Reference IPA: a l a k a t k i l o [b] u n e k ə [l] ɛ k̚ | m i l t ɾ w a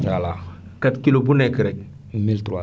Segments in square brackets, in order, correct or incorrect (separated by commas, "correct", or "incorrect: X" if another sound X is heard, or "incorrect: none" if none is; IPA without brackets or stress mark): correct, incorrect: ɾ